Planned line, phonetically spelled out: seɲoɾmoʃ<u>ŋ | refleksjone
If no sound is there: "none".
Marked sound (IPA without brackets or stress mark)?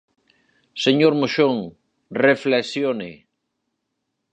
o